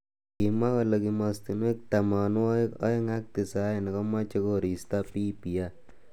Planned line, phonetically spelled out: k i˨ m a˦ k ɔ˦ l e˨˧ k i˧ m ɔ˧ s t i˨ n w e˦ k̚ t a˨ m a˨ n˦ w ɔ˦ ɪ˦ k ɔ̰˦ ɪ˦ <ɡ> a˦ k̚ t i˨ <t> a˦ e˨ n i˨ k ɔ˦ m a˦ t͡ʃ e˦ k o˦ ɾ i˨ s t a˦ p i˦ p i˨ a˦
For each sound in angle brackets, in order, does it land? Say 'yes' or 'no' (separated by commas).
no, no